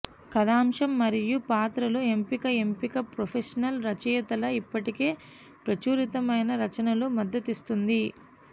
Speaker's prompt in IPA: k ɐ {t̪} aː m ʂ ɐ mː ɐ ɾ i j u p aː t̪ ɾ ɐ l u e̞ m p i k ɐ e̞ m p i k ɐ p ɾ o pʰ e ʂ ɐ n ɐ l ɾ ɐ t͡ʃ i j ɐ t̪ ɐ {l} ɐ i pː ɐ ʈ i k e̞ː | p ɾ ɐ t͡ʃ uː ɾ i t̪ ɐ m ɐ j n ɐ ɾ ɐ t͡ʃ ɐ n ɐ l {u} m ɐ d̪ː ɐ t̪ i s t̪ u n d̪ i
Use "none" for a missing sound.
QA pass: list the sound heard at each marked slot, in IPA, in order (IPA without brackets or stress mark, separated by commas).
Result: d̪, l, u